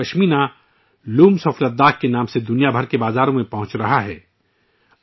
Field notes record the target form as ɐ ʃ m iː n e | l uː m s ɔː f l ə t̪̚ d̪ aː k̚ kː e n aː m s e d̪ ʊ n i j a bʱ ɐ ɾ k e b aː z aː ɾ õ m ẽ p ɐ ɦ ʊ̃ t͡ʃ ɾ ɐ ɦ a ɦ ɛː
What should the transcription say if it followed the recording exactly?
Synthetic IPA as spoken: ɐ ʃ m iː n a | l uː m s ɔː f l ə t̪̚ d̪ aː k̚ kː e n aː m s e d̪ ʊ n i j a bʱ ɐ ɾ k e b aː z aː ɾ õ m ẽ p ɐ ɦ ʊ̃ t͡ʃ ɾ ɐ ɦ a ɦ ɛː